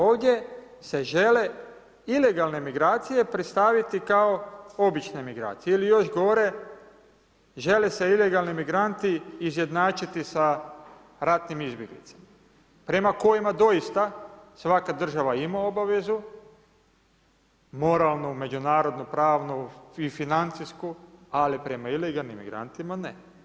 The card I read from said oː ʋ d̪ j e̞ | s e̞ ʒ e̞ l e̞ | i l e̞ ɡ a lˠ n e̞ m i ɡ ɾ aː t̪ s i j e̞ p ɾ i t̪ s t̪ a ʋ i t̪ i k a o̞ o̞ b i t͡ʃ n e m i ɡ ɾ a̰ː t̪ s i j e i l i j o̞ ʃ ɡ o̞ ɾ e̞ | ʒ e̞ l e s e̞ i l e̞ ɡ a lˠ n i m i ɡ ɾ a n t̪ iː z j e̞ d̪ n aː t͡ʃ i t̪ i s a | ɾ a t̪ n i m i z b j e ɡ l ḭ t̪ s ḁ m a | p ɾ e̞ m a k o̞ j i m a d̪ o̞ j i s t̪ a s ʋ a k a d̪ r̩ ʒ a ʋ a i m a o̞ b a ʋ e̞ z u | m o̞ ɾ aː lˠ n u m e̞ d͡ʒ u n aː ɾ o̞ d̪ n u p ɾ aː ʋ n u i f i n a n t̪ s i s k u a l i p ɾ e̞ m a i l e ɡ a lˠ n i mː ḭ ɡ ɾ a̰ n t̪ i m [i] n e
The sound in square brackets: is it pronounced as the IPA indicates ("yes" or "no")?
no